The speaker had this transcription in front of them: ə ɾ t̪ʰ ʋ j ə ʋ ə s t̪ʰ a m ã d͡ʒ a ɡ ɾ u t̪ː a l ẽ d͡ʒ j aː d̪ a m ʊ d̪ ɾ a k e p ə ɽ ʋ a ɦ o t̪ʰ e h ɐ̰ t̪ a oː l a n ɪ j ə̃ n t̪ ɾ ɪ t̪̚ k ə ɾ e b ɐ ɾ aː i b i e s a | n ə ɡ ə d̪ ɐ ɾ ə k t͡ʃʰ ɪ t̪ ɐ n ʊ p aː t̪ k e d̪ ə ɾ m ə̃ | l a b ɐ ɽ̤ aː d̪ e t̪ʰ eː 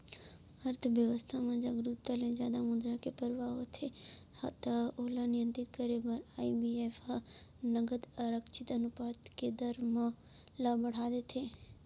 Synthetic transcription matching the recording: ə ɾ t̪ʰ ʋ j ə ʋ ə s t̪ʰ a m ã d͡ʒ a ɡ ɾ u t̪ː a l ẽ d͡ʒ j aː d̪ a m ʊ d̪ ɾ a k e p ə ɾ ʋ a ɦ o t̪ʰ e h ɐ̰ t̪ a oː l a n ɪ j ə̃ n t̪ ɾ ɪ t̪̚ k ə ɾ e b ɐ ɾ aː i b i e f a | n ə ɡ ə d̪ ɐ ɾ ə k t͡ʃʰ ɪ t̪ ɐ n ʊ p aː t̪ k e d̪ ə ɾ m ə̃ | l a b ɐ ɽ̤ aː d̪ e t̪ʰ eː